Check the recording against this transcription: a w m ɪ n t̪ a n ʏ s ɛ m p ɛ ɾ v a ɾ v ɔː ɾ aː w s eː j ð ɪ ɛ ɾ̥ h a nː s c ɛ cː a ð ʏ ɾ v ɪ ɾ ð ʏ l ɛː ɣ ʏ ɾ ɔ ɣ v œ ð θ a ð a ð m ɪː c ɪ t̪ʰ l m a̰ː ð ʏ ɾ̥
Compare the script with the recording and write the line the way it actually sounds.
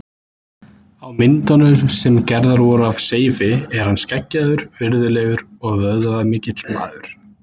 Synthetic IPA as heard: a w m ɪ n t̪ a n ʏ s ɛ m c ɛ ɾ ð a ɾ v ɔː ɾ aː v s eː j v ɪ ɛ ɾ̥ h a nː s c ɛ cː a ð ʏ ɾ v ɪ ɾ ð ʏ l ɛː ɣ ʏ ɾ ɔ ɣ v œ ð ð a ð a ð m ɪː c ɪ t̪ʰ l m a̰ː ð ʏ ɾ̥

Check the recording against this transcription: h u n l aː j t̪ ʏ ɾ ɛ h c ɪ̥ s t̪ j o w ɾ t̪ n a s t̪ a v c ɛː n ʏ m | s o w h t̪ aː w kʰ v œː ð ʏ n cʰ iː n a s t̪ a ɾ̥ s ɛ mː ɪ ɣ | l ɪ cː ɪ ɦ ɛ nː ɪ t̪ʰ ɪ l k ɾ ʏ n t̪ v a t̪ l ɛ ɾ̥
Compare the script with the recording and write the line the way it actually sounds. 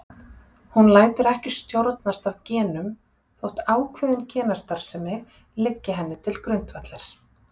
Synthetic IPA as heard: h u n l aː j t̪ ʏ ɾ ɛ h c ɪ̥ s t̪ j o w ɾ t̪ n a s t̪ a v c ɛː n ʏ m | θ o w h t̪ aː w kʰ v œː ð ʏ n cʰ ɛː n a s t̪ a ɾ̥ s ɛ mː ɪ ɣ | l ɪ cː ɪ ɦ ɛ nː ɪ t̪ʰ ɪ l k ɾ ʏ n t̪ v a t̪ l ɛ ɾ̥

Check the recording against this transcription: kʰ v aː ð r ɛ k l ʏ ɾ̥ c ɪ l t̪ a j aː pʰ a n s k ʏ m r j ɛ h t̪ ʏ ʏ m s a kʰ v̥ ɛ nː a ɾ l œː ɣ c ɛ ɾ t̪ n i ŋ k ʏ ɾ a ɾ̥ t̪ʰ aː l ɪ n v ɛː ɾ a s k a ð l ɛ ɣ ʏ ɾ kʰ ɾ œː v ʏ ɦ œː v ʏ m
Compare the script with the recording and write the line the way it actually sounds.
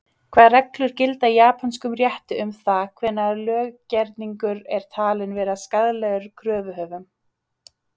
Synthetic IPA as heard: kʰ v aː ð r ɛ k l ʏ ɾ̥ c ɪ l t̪ a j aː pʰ a n s k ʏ m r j ɛ h t̪ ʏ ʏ m θ a kʰ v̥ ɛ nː a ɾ l œː ɣ c ɛ ɾ t̪ n i ŋ k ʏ ɾ ɛ ɾ̥ t̪ʰ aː l ɪ n v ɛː ɾ a s k a ð l ɛ ɣ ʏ ɾ kʰ ɾ œː v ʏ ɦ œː v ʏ m

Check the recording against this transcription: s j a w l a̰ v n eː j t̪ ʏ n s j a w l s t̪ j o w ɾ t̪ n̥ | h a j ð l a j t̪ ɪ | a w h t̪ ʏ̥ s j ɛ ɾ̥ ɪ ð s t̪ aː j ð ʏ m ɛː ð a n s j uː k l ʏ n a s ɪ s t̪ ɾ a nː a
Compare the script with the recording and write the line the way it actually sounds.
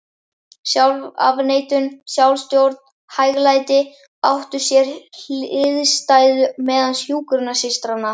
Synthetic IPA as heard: s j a w l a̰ v n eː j t̪ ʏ n s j a w l s t̪ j o w ɾ t̪ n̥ | h a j ɣ l a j t̪ ɪ | a w h t̪ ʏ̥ s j ɛ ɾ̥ ɪ ð s t̪ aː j ð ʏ m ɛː ð a n s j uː k ɾ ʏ n a s ɪ s t̪ ɾ a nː a

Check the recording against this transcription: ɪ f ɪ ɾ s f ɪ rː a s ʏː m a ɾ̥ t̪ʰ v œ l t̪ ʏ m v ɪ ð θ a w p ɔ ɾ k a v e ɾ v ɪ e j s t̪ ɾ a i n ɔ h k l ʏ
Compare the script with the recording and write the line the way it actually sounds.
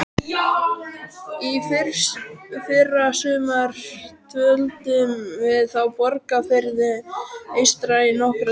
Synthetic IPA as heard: i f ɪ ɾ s f ɪ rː a s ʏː m a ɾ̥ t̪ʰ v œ l t̪ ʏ m v ɪ ð θ a w p ɔ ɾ k a f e ɾ ð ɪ e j s t̪ ɾ a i n ɔ h k ɾ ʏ

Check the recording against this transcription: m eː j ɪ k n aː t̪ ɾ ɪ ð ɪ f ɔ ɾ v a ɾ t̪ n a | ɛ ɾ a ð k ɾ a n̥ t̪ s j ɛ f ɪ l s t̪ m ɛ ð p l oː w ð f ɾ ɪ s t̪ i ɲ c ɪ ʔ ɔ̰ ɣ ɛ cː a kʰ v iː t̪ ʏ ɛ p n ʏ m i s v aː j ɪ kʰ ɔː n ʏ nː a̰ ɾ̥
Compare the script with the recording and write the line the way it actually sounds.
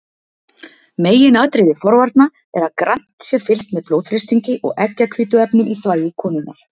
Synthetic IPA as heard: m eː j ɪ n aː t̪ ɾ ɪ ð ɪ f ɔ ɾ v a ɾ t̪ n a | ɛ ɾ a ð k ɾ a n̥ t̪ s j ɛ f ɪ l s t̪ m ɛ ð p l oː w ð f ɾ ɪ s t̪ i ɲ c ɪ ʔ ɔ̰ ɣ ɛ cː a kʰ v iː t̪ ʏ ɛ p n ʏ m i θ v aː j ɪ kʰ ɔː n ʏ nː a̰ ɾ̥

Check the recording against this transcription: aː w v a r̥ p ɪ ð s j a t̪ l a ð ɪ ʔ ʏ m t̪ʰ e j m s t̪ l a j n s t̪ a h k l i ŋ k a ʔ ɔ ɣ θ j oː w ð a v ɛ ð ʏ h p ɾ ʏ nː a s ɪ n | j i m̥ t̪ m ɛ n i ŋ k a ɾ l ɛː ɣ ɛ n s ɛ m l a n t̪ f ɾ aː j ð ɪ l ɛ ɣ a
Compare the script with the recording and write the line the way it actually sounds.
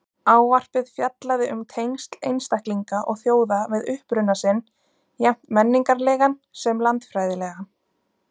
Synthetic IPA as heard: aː w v a r̥ p ɪ ð f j a t̪ l a ð ɪ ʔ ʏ m t̪ʰ e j n s t̪ l e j n s t̪ a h k l i ŋ k a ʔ ɔ ɣ θ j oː w ð a v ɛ ð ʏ h p ɾ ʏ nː a s ɪ n | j ɛ m̥ t̪ m ɛ nː i ŋ k a ɾ l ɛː ɣ a n s ɛ m l a n t̪ f ɾ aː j ð ɪ l ɛ ɣ a

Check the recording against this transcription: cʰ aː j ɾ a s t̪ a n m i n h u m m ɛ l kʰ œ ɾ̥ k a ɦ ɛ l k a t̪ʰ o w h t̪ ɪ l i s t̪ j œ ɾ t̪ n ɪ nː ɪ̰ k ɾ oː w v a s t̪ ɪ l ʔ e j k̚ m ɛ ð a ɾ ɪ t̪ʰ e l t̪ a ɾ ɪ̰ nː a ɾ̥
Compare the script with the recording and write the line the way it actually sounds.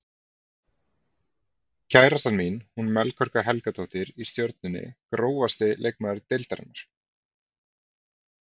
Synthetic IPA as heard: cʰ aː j ɾ a s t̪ a n m i n h u n m ɛ l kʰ œ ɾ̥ k a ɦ ɛ l k a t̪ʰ o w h t̪ ɪ ɾ i s t̪ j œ ɾ t̪ n ɪ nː ɪ̰ k ɾ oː w v a s t̪ ɪ l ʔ e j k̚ m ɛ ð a ɾ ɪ t̪ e l t̪ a ɾ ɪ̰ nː a ɾ̥

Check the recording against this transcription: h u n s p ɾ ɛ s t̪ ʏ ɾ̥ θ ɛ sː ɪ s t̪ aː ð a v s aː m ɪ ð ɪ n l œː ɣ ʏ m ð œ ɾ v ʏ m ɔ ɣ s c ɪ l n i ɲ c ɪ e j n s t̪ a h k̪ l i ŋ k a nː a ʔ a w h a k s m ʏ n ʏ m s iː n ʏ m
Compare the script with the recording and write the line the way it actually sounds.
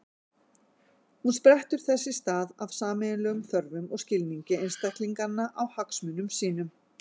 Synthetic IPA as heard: h u n s p ɾ ɛ h t̪ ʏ ɾ̥ θ ɛ sː ɪ s t̪ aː ð a v s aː m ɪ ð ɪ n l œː ɣ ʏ m θ œ ɾ v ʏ m ɔ ɣ s c ɪ l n i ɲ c ɪ e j n s t̪ a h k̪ l i ŋ k a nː a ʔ a w h a k s m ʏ n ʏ m s iː n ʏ m

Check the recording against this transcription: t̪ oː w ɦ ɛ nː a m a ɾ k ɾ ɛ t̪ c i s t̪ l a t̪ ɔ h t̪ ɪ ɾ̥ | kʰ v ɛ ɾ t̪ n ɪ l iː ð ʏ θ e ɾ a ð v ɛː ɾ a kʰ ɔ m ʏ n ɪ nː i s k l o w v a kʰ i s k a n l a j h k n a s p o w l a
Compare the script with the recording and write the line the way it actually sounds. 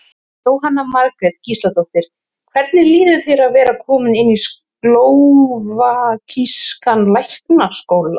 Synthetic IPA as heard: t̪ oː w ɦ a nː a m a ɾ k ɾ ɛ t̪ c i s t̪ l a t̪ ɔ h t̪ ɪ ɾ̥ | kʰ v ɛ ɾ t̪ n ɪ l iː ð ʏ θ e ɾ a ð v ɛː ɾ a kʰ ɔː m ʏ n ɪ nː i s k l o w v a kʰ i s k a n l a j h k n a s k o w l a

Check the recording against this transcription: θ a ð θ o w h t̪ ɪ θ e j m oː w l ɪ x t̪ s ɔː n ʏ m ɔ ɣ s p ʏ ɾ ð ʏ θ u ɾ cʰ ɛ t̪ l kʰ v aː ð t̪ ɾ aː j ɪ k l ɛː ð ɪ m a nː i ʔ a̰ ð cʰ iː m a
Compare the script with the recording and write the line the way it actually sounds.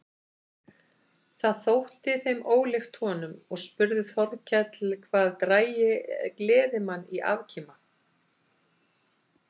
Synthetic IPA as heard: θ a ð θ o w h t̪ ɪ θ e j m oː w l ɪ x t̪ h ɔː n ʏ m ɔ ɣ s p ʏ ɾ ð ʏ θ ɔ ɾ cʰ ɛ t̪ l kʰ v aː ð t̪ ɾ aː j ɪ k l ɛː ð ɪ m a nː i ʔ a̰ v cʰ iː m a

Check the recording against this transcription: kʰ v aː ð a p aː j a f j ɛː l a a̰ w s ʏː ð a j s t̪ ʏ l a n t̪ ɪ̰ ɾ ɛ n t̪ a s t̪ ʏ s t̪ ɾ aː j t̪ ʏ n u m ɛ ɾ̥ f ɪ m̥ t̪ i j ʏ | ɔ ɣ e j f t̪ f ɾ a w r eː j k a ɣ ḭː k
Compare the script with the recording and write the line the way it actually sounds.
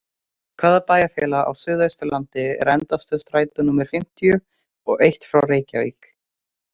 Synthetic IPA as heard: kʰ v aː ð a p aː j a f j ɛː l a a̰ w s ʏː ð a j s t̪ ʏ l a n t̪ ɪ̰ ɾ ɛ n t̪ a s t̪ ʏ s t̪ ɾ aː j t̪ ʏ n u m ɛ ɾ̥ f ɪ m̥ t̪ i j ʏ | ɔ ɣ e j h t̪ f ɾ a w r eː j c a v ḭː k

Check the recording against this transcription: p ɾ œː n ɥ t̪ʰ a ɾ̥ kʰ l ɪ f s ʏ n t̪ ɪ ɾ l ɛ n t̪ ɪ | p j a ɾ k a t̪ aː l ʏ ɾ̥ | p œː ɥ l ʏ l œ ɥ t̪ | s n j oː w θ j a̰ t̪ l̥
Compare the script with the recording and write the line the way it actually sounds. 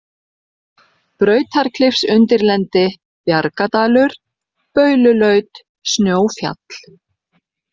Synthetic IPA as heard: p ɾ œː ɥ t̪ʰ a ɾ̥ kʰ l ɪ f s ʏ n t̪ ɪ ɾ l ɛ n t̪ ɪ | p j a ɾ k a t̪ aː l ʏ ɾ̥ | p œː ɥ l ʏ l œ ɥ t̪ | s n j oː w f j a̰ t̪ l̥

